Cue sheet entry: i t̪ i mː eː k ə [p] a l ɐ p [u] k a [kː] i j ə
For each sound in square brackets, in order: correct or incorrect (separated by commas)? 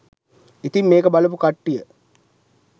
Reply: incorrect, correct, incorrect